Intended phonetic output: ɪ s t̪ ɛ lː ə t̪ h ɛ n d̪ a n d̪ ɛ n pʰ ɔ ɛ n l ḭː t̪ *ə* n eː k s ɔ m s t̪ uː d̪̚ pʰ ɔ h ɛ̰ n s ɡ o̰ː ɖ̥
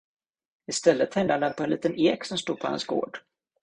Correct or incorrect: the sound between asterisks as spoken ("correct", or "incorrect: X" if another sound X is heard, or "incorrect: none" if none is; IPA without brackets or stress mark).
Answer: correct